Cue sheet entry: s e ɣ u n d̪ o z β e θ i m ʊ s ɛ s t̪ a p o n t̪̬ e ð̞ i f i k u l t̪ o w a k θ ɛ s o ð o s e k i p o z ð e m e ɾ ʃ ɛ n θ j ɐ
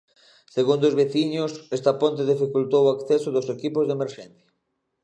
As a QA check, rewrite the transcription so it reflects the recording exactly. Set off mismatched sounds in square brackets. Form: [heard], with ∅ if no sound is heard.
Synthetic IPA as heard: s e ɣ u n d̪ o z β e θ i [ɲ] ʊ s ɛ s t̪ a p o n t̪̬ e ð̞ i f i k u l t̪ o w a k θ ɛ s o ð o s e k i p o z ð e m e ɾ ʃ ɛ n θ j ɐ